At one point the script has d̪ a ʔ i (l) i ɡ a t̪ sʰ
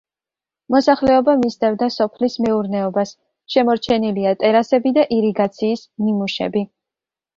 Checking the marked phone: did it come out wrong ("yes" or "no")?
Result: yes